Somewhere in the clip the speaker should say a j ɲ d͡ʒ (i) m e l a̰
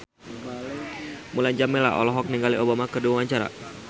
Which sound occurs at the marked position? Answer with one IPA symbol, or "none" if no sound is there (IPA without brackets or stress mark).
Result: a